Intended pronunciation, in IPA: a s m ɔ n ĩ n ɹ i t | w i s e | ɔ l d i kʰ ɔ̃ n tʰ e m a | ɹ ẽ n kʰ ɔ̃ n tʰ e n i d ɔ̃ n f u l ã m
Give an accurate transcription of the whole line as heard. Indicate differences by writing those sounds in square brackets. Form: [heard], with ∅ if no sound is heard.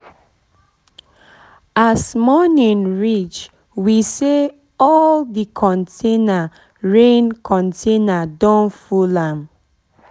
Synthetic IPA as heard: a s m ɔ n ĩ n ɹ i [t͡ʃ] | w i s e | ɔ l d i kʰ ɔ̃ n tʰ e [n] a | ɹ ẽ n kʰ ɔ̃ n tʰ e n [a] d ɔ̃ n f u l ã m